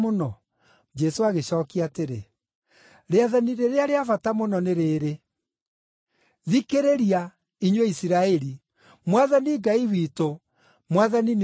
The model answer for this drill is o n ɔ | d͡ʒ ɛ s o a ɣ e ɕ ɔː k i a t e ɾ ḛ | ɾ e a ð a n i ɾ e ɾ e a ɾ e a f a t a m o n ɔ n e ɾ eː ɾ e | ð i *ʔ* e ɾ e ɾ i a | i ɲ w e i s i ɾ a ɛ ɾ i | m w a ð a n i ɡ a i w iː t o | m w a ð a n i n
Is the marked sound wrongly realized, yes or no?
yes